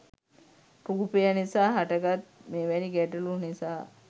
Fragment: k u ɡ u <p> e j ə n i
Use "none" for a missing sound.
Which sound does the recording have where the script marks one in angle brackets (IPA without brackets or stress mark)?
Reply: p